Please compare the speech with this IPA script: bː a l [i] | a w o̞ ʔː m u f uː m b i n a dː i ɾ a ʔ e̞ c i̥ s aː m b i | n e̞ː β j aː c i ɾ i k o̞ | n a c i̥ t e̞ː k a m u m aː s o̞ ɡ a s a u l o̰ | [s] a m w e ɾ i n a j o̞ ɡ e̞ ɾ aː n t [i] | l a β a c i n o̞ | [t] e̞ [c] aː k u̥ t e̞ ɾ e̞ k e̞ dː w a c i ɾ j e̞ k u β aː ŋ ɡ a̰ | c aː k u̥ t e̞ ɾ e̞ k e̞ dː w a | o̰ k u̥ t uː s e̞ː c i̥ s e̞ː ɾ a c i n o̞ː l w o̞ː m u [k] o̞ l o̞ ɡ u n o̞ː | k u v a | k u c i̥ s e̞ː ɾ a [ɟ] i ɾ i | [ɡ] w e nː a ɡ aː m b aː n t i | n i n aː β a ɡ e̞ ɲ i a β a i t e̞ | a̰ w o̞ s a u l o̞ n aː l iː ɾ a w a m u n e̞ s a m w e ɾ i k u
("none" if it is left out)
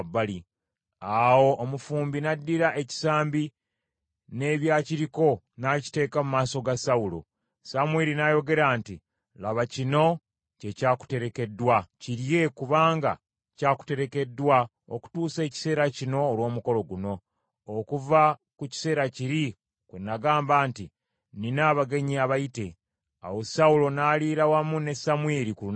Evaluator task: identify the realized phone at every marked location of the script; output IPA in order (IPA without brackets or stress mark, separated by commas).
i, s, i, c, c, k, c, k